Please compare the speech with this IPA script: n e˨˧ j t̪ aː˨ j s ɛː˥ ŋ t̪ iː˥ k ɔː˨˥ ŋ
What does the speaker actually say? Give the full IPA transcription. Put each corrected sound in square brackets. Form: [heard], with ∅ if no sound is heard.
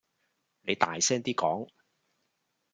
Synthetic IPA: n e˨˧ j t̪ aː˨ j s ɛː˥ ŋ t̪ iː˥ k ɔː˨˥ ŋ